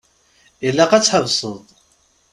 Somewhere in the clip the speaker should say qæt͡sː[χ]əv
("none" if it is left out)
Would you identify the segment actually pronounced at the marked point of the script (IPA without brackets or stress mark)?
ħ